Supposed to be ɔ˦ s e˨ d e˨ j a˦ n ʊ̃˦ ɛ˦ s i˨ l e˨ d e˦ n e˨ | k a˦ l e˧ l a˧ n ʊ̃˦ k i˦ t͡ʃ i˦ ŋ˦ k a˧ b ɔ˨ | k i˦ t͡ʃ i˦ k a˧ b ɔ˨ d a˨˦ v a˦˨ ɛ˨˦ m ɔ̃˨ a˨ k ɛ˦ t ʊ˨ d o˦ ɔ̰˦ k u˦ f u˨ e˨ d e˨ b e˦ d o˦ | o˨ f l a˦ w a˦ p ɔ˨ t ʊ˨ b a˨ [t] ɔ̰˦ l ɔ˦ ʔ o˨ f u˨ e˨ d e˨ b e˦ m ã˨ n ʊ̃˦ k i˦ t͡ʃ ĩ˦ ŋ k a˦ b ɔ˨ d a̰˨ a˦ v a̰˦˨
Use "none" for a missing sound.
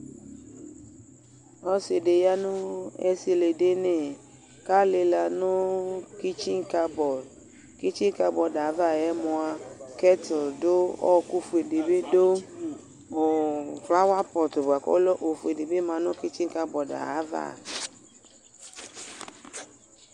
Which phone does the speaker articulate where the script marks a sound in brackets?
k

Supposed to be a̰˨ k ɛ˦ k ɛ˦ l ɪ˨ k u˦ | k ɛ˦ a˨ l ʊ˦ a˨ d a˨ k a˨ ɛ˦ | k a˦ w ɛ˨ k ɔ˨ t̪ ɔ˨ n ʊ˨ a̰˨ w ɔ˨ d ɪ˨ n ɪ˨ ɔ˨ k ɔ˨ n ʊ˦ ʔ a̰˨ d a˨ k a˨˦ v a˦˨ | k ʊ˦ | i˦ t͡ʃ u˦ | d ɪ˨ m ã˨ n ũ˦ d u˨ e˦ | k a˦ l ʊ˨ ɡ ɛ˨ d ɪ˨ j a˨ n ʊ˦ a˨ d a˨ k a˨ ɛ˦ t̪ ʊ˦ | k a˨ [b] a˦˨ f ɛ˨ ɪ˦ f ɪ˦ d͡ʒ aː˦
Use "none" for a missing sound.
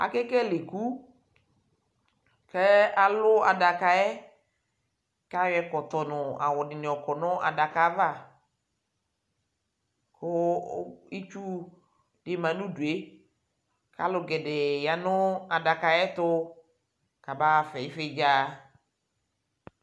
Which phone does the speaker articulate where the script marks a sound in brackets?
b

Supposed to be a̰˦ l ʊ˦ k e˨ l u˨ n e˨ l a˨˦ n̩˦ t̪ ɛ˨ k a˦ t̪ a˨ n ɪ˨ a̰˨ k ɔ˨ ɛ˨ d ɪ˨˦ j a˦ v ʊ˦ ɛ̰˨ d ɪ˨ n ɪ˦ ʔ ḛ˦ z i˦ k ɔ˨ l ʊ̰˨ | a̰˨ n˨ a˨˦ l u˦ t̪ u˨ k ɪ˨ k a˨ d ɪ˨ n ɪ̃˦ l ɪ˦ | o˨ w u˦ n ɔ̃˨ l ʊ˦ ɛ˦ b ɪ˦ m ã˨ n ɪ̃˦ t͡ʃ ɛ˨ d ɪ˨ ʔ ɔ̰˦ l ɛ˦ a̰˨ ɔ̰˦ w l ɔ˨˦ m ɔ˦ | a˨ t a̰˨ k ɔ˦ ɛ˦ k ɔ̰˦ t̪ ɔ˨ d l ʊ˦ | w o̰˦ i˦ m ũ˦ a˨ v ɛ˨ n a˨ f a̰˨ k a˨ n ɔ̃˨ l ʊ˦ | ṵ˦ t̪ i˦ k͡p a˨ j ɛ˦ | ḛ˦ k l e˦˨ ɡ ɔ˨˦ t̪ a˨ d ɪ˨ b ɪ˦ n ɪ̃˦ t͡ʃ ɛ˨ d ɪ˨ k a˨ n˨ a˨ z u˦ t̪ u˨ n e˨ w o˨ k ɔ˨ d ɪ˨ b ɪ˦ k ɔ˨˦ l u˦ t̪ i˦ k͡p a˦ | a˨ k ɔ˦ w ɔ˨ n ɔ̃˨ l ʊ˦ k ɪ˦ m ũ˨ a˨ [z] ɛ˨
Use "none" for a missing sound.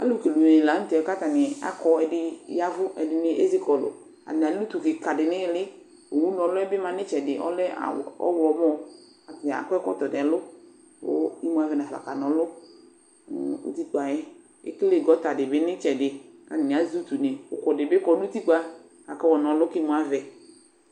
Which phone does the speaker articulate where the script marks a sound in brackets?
v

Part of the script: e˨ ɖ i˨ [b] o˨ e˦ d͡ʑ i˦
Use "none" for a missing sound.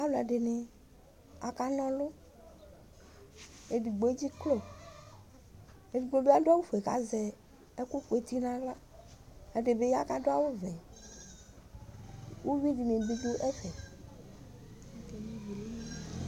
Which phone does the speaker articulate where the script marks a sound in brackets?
ɡ͡b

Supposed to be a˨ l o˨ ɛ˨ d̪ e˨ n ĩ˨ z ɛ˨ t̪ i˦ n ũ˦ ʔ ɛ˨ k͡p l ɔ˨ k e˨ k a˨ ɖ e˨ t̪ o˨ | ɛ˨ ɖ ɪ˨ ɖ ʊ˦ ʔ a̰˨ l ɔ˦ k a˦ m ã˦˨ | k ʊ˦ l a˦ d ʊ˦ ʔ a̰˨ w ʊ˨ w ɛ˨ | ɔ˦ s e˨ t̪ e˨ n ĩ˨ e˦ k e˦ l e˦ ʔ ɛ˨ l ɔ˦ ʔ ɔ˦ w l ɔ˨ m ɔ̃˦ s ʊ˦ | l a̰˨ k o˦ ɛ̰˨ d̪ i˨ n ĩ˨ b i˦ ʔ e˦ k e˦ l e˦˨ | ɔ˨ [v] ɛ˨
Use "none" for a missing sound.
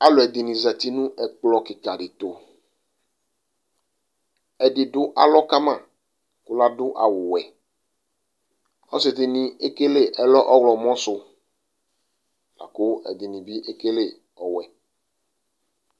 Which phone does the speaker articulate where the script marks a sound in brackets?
w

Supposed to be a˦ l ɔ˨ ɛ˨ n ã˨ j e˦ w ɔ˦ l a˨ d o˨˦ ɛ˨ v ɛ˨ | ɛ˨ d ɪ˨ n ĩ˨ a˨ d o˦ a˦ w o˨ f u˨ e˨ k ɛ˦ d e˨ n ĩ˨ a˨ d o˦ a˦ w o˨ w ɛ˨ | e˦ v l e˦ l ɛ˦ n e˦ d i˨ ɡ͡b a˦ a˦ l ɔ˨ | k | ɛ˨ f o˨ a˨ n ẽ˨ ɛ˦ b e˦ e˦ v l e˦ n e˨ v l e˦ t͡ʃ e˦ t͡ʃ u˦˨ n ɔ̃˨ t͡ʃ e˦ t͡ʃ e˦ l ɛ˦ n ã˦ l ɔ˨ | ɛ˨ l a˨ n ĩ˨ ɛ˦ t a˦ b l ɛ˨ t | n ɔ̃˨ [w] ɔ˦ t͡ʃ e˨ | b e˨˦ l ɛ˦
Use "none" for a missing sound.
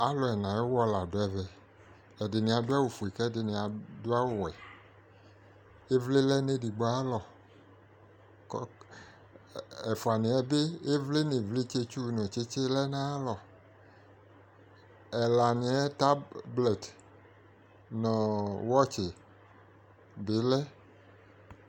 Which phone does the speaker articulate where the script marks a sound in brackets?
w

